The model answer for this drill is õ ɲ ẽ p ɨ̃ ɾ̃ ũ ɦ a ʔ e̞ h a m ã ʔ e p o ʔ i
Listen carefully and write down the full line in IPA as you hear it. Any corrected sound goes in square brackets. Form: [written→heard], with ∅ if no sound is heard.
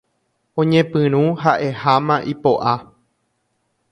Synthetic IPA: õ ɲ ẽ p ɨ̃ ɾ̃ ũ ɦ a ʔ e̞ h a m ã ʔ [e→i] p o ʔ [i→a]